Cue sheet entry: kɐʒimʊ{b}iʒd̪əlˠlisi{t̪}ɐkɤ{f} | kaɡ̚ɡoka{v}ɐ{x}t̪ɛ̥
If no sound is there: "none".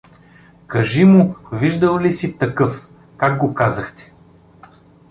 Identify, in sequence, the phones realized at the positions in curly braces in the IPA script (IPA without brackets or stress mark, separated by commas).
v, t̪, f, z, x